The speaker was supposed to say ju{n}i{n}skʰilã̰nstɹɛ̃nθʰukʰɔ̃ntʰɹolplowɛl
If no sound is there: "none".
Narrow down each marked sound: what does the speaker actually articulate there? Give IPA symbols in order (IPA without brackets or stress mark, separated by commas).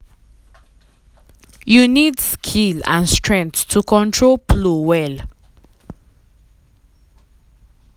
n, d